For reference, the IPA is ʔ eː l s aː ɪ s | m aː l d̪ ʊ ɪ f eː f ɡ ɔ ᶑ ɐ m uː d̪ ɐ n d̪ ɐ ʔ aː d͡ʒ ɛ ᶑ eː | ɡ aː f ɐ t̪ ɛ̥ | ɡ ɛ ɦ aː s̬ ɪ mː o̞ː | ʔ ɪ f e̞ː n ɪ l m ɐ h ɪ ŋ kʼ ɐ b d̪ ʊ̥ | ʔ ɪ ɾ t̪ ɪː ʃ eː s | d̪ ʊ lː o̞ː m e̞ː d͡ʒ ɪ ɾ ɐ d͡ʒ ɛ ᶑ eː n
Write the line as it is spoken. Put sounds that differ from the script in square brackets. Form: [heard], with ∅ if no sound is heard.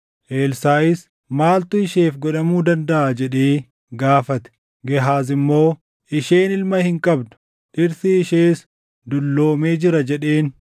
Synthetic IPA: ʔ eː l s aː ɪ s | m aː l [t̪] ʊ ɪ [ʃ] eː f ɡ ɔ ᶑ ɐ m uː d̪ ɐ n d̪ ɐ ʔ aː d͡ʒ ɛ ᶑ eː | ɡ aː f ɐ t̪ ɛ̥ | ɡ ɛ ɦ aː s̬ ɪ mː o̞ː | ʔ ɪ [ʃ] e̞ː n ɪ l m ɐ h ɪ ŋ kʼ ɐ b d̪ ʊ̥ | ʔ ɪ ɾ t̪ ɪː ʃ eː s | d̪ ʊ lː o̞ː m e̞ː d͡ʒ ɪ ɾ ɐ d͡ʒ ɛ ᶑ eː n